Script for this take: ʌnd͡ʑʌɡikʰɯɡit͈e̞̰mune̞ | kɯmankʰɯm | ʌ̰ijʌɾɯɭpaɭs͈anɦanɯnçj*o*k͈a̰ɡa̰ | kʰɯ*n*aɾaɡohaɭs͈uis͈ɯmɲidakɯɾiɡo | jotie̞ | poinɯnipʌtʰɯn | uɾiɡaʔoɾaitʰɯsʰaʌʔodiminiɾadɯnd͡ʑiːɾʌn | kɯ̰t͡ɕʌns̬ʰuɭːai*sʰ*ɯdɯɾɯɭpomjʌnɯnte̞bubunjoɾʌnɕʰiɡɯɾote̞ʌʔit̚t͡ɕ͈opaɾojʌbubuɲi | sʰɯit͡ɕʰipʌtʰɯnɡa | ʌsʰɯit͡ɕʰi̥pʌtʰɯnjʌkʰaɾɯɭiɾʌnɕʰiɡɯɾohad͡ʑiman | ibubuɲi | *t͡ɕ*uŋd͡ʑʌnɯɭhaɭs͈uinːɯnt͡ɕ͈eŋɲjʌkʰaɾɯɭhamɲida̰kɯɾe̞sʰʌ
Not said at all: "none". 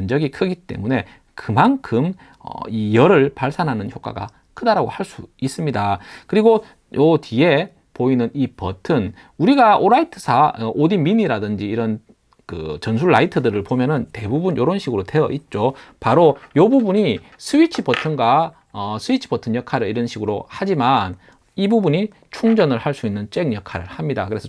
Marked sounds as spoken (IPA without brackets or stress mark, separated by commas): o, d, tʰ, t͡ɕʰ